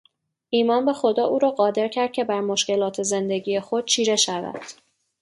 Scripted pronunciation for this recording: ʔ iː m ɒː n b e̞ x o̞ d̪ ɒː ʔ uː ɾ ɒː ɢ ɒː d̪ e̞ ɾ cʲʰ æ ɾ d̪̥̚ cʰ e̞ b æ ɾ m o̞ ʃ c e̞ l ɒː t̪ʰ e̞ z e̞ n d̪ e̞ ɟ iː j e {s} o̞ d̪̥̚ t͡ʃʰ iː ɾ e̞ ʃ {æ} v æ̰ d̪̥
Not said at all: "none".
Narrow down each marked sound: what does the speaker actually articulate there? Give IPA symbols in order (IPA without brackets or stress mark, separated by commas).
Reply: x, æ